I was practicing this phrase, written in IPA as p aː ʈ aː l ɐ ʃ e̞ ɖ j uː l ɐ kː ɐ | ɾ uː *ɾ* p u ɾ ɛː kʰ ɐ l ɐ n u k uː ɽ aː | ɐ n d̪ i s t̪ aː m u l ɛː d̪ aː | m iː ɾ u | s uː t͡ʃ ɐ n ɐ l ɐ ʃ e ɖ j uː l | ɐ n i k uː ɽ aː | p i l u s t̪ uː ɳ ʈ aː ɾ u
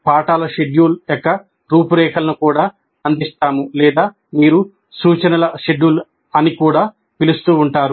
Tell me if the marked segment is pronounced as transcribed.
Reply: no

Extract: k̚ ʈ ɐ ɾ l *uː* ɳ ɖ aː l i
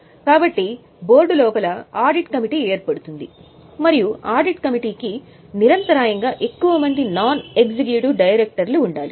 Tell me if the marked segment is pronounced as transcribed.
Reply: yes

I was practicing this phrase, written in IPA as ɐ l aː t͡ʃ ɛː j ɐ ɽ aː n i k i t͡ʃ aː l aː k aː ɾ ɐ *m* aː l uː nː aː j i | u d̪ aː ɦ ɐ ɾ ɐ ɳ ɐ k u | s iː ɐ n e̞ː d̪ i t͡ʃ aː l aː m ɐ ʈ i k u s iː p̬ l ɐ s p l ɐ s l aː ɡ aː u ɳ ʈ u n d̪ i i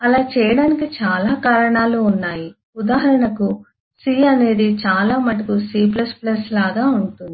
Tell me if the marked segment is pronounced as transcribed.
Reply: no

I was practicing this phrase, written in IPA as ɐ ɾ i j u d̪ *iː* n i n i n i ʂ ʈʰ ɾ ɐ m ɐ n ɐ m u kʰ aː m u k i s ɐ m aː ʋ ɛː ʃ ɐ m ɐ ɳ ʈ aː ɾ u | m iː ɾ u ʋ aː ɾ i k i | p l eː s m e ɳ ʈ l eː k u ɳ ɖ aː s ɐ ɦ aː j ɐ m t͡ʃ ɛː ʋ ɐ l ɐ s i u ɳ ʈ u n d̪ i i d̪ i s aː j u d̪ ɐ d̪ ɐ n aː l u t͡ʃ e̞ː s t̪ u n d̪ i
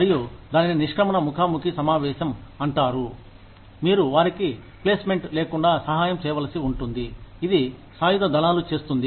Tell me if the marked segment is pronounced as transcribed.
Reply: no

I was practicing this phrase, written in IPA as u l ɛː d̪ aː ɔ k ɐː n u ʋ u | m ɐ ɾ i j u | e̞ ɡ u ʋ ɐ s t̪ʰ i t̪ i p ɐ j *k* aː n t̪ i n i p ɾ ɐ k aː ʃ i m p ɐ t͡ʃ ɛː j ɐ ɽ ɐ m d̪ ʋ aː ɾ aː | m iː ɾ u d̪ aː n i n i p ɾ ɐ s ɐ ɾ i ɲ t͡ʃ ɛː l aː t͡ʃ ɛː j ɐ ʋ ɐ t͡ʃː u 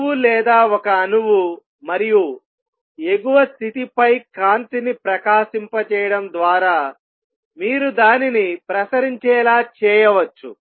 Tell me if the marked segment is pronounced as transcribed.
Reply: yes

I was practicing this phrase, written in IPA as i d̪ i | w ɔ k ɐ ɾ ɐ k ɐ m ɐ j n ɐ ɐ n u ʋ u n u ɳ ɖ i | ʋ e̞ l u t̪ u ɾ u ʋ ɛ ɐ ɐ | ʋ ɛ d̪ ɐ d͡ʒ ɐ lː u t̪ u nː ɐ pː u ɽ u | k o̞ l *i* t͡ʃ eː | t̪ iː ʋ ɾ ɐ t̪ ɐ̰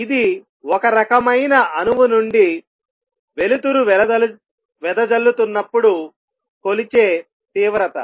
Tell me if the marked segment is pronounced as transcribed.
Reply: yes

